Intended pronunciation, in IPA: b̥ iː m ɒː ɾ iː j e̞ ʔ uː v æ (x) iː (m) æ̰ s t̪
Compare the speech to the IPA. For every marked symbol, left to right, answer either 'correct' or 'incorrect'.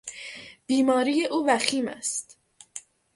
correct, correct

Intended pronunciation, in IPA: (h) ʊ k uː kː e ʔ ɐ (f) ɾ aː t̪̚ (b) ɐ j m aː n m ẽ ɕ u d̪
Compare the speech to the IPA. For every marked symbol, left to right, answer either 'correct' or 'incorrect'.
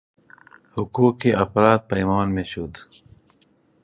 correct, correct, incorrect: p

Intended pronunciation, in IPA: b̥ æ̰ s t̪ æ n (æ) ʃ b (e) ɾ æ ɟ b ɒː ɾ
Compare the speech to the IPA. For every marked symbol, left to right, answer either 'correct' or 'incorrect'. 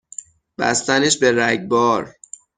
incorrect: e, correct

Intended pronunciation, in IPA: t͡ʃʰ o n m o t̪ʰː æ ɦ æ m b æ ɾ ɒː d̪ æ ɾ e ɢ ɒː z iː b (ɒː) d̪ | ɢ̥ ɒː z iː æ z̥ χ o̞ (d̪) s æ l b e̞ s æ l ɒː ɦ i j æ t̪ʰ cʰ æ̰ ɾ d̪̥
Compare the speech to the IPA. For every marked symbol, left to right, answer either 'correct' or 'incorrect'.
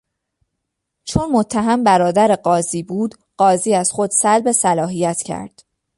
incorrect: uː, correct

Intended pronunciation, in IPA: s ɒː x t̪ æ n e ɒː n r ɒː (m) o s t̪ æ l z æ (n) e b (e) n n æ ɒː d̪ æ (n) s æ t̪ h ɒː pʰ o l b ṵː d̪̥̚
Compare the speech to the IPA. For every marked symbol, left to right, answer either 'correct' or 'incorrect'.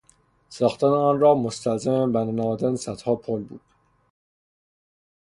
correct, incorrect: m, incorrect: æ, correct

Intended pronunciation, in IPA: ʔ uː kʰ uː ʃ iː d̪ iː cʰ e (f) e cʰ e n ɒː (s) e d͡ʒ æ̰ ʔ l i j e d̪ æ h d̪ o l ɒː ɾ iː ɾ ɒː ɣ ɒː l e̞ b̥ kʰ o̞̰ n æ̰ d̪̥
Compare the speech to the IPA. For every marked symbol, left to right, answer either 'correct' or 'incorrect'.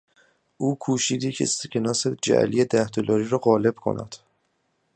incorrect: s, correct

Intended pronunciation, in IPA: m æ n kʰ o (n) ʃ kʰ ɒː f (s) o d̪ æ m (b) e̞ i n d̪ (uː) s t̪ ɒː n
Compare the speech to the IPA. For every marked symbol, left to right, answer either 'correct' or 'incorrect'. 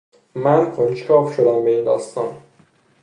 correct, incorrect: ʃ, correct, incorrect: ɒː

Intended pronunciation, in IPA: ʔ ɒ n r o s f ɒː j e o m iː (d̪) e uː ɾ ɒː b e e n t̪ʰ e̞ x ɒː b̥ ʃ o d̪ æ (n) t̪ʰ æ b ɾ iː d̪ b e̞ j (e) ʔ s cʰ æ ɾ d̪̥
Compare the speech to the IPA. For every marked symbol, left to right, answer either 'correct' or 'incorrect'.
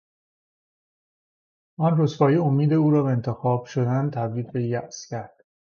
correct, correct, incorrect: æ

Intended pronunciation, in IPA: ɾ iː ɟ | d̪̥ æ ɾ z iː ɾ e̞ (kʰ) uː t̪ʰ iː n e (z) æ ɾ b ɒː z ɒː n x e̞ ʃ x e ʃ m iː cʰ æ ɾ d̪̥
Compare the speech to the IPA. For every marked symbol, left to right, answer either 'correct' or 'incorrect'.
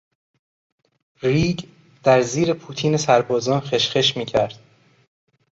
incorrect: pʰ, incorrect: s

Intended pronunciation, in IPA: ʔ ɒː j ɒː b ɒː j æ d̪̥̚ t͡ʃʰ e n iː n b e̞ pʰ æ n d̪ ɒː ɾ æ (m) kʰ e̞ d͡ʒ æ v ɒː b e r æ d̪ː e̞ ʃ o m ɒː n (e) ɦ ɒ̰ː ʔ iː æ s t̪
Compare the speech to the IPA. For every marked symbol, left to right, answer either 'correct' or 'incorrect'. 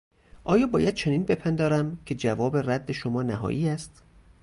correct, incorrect: æ

